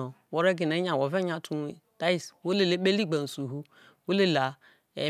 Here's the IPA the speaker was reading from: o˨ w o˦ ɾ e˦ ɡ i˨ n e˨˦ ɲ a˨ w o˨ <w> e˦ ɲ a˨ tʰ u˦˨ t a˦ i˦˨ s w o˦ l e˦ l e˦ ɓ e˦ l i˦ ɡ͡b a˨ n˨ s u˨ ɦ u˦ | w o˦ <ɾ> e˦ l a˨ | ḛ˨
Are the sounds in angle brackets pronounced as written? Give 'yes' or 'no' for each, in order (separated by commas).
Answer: no, no